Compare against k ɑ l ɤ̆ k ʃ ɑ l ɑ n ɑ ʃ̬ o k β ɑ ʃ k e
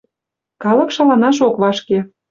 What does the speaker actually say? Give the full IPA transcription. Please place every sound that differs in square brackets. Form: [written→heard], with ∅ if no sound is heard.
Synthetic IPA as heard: k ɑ l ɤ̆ k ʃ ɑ l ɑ n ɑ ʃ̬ o k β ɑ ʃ k e